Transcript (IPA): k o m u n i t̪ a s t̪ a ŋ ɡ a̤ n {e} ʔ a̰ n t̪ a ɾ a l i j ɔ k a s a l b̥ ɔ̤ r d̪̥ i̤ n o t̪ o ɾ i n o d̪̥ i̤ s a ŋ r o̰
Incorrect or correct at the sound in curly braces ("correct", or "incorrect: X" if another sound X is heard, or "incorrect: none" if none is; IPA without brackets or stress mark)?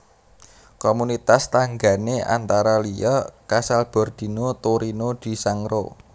correct